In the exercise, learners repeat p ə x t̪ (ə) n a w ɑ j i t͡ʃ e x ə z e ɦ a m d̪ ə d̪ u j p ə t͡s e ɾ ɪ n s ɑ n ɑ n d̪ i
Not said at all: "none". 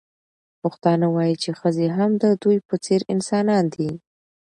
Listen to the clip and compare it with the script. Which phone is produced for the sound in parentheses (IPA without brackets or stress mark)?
ɑ